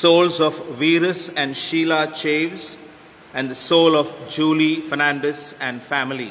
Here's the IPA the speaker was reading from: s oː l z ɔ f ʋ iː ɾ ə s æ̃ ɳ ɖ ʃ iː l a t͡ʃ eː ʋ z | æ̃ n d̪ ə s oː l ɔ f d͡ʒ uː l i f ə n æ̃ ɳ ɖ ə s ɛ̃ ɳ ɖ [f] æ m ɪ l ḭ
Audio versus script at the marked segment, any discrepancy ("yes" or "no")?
no